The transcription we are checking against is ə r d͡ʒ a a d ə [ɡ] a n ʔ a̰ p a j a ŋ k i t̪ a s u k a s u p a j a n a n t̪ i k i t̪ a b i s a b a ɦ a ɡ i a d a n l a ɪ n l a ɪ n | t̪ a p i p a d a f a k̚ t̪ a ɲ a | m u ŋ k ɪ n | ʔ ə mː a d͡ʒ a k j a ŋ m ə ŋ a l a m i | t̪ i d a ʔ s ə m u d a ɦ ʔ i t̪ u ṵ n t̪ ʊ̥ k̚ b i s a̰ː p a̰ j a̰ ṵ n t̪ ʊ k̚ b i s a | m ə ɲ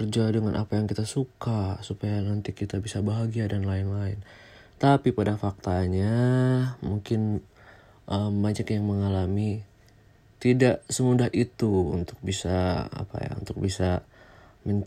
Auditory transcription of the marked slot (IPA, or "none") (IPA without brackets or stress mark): ŋ